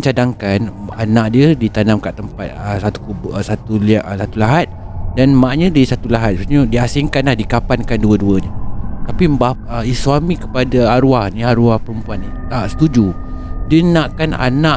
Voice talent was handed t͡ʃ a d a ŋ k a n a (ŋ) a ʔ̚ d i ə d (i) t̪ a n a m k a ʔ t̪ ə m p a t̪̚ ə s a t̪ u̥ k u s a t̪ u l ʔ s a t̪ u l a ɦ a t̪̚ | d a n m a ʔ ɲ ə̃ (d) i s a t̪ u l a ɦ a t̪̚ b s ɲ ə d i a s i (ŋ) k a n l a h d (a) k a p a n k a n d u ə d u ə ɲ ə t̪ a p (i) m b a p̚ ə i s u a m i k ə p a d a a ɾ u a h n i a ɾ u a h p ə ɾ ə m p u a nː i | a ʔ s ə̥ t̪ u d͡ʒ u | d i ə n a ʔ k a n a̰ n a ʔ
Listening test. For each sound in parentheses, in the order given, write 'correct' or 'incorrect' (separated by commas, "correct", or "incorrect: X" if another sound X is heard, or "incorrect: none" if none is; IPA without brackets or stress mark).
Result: incorrect: n, correct, correct, correct, incorrect: i, correct